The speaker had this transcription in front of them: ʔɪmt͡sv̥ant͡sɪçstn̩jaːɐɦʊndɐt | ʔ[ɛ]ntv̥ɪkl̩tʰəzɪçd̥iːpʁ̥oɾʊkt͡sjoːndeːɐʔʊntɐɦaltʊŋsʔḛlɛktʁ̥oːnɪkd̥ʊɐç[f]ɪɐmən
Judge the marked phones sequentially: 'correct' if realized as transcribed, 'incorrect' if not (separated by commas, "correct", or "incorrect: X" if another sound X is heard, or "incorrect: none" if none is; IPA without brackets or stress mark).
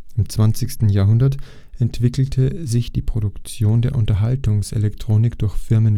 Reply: correct, correct